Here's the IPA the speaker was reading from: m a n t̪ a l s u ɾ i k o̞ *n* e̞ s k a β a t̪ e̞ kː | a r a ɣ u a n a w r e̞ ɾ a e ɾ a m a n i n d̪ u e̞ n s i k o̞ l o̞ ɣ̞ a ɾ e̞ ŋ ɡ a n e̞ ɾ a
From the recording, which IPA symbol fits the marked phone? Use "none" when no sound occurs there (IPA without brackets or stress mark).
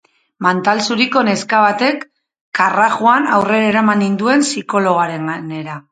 n